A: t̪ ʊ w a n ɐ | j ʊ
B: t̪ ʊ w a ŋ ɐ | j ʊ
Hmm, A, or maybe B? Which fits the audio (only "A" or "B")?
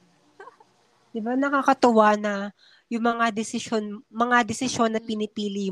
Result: A